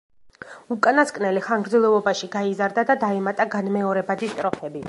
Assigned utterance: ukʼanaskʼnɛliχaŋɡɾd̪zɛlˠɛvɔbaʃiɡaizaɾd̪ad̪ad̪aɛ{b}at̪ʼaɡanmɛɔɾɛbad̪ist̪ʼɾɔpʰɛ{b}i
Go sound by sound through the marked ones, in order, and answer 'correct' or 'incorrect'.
incorrect: m, correct

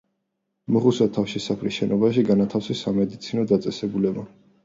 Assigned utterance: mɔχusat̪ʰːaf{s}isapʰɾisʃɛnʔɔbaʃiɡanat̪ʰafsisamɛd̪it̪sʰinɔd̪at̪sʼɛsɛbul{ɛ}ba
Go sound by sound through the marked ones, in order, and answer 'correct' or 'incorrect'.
incorrect: ʃ, correct

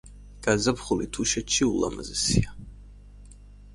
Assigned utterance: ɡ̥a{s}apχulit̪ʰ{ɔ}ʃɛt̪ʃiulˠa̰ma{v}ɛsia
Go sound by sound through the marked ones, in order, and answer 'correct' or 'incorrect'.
incorrect: z, incorrect: u, incorrect: z

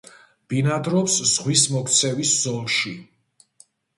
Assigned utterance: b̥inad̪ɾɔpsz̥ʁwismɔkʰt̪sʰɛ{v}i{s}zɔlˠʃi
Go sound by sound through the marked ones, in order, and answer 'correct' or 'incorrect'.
correct, correct

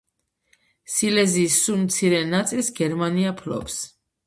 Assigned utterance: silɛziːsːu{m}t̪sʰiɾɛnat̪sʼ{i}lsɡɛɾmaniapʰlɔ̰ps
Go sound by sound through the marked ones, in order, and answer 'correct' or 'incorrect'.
correct, correct

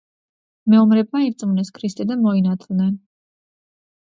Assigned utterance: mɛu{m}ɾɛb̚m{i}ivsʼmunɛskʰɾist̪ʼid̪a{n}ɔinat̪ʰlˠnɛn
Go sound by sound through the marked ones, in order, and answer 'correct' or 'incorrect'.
correct, incorrect: a, incorrect: m

